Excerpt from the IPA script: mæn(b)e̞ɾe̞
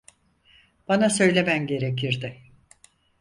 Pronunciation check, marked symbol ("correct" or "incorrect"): incorrect